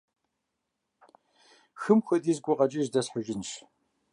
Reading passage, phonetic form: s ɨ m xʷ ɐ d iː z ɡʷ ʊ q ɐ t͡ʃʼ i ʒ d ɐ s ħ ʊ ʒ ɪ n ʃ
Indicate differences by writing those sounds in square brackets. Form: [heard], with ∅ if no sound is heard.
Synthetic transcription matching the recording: [x] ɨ m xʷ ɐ d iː z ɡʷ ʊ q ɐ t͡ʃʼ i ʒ d ɐ s ħ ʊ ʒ ɪ n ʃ